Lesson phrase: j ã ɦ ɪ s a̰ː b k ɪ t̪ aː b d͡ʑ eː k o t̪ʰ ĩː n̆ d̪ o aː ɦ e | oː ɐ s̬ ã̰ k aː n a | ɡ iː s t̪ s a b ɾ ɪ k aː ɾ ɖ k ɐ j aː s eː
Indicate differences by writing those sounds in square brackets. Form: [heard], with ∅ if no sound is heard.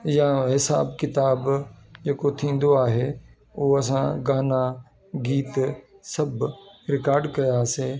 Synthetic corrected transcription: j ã ɦ ɪ s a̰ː b k ɪ t̪ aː b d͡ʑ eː k o t̪ʰ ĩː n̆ d̪ o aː ɦ e | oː ɐ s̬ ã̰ [ɡ] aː n a | ɡ iː [∅] t̪ s [ɐ] b ɾ ɪ k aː ɾ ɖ k ɐ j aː s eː